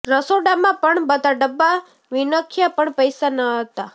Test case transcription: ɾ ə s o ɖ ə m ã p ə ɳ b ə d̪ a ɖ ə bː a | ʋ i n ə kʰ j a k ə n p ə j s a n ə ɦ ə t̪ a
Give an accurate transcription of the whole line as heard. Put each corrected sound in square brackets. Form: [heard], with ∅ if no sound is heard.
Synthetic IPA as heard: ɾ ə s o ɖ [a] m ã p ə ɳ b ə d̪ a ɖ ə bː a | ʋ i n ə kʰ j a [p] ə [ɳ] p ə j s a n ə ɦ ə t̪ a